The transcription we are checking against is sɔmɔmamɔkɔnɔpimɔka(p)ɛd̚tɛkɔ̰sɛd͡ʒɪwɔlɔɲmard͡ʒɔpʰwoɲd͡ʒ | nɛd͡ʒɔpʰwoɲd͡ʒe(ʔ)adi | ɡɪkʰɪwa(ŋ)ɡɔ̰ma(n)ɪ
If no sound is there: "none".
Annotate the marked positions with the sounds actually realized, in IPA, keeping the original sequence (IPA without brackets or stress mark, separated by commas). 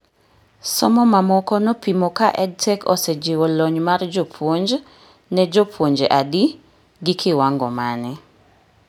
ʔ, ʔ, ŋ, n